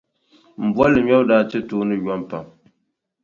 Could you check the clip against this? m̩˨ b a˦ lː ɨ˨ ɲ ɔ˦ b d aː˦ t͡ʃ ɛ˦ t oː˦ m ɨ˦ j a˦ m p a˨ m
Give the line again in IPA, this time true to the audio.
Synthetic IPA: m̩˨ b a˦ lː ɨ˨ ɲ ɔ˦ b d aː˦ t͡ʃ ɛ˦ t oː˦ n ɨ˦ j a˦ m p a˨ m

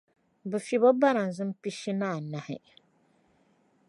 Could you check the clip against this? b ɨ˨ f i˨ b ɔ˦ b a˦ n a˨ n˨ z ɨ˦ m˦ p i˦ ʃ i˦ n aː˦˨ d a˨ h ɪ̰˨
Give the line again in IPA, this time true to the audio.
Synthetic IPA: b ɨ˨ f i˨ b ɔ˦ b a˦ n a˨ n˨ z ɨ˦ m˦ p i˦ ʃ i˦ n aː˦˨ n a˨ h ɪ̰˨

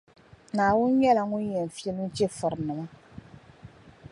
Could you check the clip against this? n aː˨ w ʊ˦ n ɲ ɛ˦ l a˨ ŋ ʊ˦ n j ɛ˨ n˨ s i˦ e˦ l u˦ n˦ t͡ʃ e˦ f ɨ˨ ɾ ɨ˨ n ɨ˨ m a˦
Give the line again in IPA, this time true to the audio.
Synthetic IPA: n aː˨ w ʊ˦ n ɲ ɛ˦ l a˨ ŋ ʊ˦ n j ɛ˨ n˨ f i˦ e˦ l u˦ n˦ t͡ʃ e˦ f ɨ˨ ɾ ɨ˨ n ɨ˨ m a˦

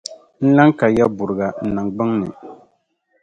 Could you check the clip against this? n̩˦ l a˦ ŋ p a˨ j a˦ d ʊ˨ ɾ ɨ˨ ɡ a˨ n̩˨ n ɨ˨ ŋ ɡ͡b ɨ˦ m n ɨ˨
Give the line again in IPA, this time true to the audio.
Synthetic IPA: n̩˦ l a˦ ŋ k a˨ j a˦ b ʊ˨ ɾ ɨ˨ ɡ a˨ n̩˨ n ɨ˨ ŋ ɡ͡b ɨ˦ ŋ n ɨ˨

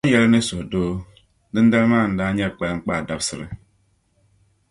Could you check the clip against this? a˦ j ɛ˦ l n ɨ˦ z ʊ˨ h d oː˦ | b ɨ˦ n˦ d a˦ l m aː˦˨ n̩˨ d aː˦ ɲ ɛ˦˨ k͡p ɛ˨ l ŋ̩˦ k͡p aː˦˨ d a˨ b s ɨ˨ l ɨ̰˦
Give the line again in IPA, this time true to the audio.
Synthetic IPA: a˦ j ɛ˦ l n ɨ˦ s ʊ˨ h d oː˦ | d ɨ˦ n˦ d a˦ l m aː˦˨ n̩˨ d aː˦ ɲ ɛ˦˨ k͡p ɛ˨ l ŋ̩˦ k͡p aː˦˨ d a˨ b s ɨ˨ ɾ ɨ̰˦

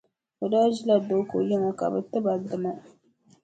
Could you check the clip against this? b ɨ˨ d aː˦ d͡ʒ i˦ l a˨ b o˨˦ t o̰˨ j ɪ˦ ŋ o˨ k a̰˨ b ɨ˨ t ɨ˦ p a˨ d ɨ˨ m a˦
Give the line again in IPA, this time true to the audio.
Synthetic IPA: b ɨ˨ d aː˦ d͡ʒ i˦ l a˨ d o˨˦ k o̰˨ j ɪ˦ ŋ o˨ k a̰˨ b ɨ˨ t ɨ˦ b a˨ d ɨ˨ m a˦

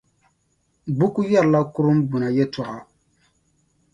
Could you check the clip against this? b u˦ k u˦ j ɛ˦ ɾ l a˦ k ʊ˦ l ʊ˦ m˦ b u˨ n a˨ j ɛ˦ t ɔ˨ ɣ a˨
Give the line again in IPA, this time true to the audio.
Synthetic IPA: b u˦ k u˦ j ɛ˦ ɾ l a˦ k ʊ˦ ɾ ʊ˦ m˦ b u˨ n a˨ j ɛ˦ t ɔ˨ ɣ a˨

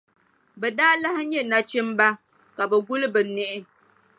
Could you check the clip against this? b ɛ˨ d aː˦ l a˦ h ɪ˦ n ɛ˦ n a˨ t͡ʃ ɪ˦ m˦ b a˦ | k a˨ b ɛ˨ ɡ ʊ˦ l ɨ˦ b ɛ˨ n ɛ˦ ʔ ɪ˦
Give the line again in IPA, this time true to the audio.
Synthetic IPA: b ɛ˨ d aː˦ l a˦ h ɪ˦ ɲ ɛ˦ n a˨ t͡ʃ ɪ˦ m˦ b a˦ | k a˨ b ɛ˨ ɡ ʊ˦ l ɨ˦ b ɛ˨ n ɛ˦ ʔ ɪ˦

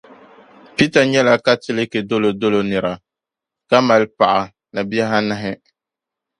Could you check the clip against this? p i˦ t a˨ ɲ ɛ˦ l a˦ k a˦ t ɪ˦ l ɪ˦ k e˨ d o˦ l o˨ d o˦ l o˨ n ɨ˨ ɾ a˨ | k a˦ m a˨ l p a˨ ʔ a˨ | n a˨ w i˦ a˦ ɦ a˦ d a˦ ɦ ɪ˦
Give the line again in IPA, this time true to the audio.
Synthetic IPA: p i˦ t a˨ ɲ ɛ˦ l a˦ k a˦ t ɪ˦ l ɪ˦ k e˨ d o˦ l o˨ d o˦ l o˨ n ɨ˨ ɾ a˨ | k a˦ m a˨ l p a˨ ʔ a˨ | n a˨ b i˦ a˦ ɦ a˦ n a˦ ɦ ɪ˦

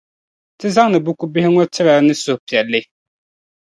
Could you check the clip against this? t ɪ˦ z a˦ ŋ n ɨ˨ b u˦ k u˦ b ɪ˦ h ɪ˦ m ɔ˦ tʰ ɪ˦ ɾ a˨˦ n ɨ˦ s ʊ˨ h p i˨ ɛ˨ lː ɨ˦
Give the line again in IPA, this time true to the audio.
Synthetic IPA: t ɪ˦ z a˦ ŋ n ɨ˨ b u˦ k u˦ b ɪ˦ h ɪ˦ ŋ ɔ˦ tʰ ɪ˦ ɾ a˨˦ n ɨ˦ s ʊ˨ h p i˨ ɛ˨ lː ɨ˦

